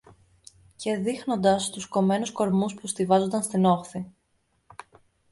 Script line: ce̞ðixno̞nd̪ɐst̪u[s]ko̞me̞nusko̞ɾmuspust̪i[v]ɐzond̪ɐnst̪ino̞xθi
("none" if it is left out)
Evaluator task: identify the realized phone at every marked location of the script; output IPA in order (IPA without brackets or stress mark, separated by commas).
s, v